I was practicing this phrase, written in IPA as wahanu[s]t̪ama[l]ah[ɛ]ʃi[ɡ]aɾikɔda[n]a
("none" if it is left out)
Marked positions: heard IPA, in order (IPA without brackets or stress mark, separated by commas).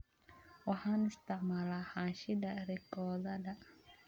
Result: s, l, a, d, d